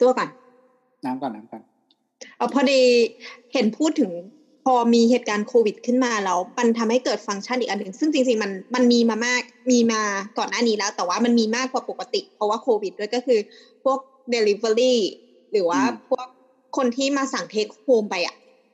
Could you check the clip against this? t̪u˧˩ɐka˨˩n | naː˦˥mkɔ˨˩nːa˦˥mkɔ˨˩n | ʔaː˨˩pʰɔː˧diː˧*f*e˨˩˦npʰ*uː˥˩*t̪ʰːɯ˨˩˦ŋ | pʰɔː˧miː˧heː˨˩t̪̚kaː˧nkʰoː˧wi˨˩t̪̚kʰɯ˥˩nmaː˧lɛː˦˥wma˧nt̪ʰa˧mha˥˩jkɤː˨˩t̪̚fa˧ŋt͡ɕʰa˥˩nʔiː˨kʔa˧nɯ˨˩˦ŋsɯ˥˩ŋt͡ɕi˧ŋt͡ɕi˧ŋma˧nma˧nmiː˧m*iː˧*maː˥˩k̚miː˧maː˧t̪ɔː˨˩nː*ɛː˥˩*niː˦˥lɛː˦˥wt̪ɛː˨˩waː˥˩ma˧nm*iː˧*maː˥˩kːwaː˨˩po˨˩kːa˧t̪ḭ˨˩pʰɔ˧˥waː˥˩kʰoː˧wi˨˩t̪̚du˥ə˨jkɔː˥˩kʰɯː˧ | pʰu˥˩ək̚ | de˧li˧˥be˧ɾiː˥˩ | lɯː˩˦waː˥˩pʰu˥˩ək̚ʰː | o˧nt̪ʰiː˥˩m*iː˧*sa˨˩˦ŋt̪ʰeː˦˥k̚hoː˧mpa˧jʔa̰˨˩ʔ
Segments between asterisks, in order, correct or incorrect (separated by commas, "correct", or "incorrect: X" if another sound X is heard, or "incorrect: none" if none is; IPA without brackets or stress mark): incorrect: h, correct, incorrect: aː˧, incorrect: aː˥˩, correct, incorrect: aː˧